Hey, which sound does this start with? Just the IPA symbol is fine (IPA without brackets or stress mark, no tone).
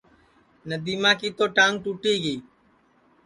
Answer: n